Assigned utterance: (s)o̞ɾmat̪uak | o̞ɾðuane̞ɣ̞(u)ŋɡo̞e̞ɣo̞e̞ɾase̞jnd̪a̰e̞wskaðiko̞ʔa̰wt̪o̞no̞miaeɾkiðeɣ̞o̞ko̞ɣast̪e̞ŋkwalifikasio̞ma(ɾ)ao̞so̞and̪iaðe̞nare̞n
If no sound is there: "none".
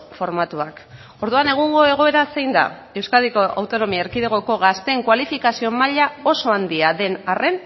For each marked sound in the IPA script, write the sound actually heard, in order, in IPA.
f, u, ʎ

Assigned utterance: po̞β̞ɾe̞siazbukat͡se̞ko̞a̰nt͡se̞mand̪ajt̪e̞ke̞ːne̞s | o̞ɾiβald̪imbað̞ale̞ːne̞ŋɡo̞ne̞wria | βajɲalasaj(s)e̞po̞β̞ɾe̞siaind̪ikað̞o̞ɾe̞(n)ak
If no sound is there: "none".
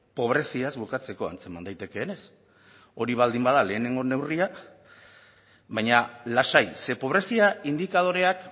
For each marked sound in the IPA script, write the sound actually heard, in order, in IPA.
s, none

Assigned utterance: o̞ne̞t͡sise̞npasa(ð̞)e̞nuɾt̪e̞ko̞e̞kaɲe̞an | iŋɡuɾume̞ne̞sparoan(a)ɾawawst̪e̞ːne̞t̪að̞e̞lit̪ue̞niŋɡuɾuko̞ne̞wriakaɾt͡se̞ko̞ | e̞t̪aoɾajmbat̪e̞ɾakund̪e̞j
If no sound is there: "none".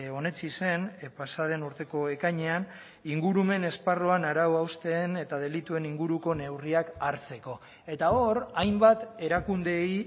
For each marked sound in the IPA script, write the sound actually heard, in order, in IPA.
ð̞, a

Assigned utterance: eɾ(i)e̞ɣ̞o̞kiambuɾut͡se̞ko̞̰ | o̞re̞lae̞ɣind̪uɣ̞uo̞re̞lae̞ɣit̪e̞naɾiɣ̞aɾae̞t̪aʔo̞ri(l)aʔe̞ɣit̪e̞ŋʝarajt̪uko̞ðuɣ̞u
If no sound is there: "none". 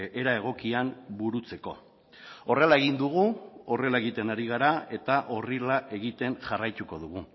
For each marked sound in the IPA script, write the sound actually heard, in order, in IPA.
a, l

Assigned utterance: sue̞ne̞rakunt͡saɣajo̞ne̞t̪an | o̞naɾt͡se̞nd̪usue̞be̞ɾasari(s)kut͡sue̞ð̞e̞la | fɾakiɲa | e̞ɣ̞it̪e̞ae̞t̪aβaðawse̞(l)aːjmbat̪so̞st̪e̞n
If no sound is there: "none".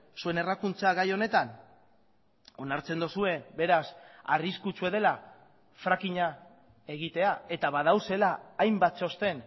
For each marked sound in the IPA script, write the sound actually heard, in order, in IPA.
s, l

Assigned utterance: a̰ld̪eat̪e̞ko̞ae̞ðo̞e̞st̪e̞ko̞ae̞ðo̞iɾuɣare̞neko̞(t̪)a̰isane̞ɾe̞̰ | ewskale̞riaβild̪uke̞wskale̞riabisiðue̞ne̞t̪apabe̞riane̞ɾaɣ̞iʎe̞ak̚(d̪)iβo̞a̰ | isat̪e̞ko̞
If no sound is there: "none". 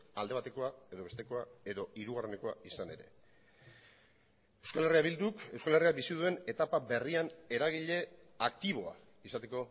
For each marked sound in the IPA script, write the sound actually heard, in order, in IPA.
none, t̪

